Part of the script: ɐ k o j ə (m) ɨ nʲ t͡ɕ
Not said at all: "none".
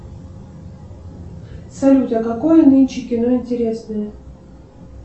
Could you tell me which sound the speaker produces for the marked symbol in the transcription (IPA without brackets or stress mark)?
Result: n